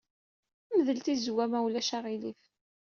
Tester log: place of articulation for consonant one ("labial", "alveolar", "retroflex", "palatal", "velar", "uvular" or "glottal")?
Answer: labial